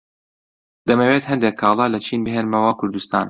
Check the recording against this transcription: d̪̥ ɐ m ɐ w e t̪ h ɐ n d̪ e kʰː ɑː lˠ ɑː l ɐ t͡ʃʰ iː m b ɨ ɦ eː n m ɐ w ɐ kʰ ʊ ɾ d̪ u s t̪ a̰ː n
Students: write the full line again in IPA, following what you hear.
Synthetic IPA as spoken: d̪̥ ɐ m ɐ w e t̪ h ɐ n d̪ e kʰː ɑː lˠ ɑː l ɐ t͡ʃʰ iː n b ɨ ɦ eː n m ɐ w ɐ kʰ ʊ ɾ d̪ u s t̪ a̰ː n